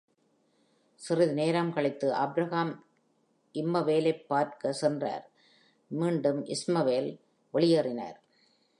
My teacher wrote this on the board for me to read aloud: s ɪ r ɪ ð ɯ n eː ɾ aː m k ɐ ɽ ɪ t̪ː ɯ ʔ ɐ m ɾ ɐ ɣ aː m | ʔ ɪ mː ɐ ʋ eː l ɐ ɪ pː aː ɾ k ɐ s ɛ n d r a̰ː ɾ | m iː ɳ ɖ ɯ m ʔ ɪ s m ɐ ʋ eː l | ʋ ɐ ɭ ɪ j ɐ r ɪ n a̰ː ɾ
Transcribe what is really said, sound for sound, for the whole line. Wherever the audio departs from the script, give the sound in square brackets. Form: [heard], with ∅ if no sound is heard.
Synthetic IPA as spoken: s ɪ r ɪ ð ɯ n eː ɾ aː m k ɐ [ɭ] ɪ t̪ː ɯ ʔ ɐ [b] ɾ ɐ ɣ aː m | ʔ ɪ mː ɐ ʋ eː l ɐ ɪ pː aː ɾ k ɐ s ɛ n d r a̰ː ɾ | m iː ɳ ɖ ɯ m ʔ ɪ s m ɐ ʋ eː l | ʋ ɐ ɭ ɪ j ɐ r ɪ n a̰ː ɾ